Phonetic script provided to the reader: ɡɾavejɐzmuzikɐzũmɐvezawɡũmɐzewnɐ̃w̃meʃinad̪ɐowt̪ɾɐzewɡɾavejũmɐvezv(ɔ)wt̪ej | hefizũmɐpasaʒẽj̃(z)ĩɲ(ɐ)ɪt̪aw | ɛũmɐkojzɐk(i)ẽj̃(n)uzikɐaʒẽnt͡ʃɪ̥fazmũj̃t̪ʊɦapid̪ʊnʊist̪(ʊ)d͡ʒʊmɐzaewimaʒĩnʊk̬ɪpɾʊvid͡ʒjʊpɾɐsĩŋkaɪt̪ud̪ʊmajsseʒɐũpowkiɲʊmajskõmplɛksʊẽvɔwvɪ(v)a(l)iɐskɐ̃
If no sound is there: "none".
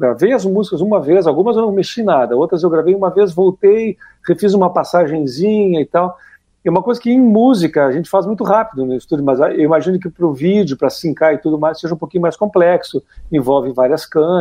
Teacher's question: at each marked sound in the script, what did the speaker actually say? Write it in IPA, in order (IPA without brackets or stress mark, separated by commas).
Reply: o, z, ɐ, ɪ, m, u, v, ɾ